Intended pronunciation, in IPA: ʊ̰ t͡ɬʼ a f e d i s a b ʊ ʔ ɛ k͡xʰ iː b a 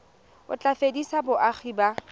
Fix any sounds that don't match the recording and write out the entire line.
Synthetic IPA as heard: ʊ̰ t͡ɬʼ a f e d i s a b ʊ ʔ a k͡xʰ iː b a